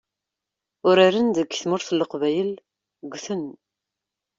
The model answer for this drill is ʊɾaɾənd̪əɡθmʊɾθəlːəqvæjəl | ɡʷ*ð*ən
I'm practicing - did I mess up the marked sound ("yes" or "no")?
yes